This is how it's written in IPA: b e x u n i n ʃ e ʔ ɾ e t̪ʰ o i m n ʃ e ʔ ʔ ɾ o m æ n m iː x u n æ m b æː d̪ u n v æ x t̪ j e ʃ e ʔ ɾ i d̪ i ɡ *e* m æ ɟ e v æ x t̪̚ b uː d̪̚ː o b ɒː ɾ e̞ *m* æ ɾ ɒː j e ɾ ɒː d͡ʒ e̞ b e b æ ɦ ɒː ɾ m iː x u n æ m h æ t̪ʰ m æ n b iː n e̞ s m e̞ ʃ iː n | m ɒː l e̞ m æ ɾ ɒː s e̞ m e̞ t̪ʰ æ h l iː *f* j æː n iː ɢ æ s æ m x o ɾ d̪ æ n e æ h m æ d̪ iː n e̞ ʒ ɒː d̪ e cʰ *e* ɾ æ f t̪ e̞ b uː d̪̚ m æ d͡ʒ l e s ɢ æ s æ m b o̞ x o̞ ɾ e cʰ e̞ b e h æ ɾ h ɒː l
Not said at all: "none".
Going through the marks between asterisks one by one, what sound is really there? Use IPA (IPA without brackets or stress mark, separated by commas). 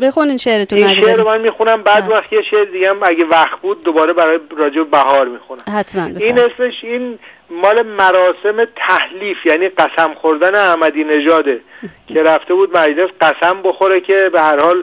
æ, b, f, e